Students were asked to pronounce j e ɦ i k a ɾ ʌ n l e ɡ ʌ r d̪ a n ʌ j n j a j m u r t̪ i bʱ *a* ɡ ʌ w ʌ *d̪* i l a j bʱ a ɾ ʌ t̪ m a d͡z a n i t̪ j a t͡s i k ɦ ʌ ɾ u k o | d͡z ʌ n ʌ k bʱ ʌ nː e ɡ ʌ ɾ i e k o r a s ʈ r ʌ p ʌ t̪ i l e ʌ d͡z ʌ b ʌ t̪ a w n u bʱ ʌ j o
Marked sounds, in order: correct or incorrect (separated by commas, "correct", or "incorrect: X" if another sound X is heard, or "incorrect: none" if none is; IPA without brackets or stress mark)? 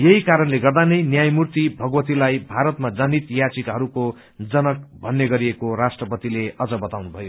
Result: incorrect: ʌ, incorrect: t̪